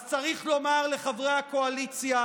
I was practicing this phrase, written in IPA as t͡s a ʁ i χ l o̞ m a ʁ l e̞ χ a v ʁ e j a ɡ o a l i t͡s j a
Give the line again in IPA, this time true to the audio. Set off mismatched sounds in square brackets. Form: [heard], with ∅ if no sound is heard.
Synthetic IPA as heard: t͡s a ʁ i χ l o̞ m a ʁ l e̞ χ a v ʁ e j a [k] o a l i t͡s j a